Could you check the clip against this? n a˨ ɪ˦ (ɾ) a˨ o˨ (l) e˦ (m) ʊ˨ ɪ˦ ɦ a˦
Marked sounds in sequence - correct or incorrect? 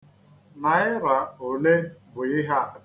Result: correct, correct, incorrect: b

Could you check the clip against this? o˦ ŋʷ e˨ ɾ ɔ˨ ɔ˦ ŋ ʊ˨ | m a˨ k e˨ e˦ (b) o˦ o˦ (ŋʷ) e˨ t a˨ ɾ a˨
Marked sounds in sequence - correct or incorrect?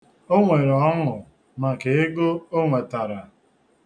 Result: incorrect: ɡ, correct

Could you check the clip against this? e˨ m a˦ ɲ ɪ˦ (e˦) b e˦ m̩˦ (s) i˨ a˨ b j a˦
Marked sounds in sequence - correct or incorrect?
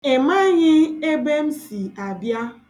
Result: correct, correct

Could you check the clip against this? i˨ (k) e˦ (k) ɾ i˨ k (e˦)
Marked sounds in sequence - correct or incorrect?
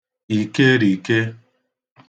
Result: correct, incorrect: none, correct

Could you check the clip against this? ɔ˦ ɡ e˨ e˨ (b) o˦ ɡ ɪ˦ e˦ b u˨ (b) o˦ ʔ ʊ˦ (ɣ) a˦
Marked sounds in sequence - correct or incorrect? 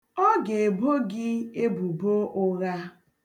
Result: correct, correct, correct

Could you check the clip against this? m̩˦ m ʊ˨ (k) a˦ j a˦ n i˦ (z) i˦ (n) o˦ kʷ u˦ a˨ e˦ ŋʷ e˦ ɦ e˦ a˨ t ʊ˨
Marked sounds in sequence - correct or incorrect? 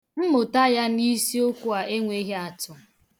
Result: incorrect: t, incorrect: s, incorrect: none

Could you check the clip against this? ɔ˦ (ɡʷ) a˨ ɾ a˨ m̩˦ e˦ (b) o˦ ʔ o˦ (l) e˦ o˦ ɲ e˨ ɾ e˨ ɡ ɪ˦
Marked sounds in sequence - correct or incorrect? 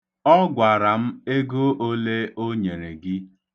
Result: correct, incorrect: ɡ, correct

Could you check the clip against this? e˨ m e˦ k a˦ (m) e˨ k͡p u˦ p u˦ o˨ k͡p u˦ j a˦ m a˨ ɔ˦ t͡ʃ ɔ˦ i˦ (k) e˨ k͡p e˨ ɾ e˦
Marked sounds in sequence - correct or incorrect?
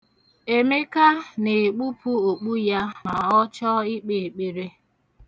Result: incorrect: n, incorrect: k͡p

